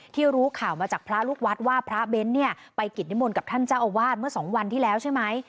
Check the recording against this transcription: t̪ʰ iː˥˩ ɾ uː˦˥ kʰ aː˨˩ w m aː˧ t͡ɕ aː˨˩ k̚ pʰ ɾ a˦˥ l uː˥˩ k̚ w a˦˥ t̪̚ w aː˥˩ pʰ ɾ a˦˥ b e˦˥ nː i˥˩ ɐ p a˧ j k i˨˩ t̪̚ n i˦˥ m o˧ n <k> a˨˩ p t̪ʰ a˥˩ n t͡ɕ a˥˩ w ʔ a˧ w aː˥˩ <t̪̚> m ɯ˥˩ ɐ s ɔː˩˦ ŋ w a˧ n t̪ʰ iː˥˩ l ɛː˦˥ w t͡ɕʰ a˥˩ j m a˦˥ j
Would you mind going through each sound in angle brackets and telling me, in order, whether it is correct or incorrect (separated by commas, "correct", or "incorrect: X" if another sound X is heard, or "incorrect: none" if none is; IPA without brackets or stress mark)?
correct, correct